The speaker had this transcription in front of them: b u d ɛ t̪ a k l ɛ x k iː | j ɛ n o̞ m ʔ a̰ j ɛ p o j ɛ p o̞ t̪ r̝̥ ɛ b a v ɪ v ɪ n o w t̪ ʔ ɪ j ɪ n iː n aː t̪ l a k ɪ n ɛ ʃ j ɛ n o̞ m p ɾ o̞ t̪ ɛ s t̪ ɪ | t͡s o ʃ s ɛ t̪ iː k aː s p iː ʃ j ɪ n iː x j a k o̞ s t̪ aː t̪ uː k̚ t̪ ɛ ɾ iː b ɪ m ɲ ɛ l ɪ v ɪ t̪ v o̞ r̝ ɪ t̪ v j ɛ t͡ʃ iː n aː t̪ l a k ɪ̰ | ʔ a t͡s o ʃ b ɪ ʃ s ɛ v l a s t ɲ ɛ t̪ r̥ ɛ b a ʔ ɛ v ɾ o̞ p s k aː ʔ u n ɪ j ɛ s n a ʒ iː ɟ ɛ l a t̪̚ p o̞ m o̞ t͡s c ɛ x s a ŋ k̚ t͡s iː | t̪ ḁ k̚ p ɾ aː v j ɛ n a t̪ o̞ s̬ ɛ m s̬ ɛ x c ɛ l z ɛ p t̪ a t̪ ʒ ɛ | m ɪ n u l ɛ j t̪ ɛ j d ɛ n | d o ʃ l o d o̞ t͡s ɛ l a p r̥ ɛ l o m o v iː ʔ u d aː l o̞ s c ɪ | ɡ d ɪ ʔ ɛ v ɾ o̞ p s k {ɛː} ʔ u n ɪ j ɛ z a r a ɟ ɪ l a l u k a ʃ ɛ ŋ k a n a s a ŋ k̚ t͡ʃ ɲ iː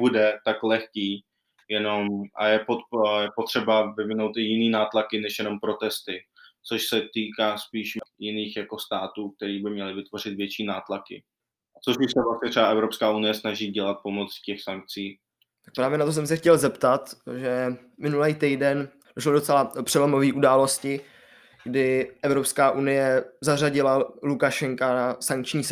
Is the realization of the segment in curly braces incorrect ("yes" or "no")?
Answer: yes